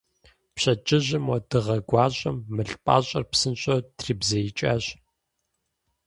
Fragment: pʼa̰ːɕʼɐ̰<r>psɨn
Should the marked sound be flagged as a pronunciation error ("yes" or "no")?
no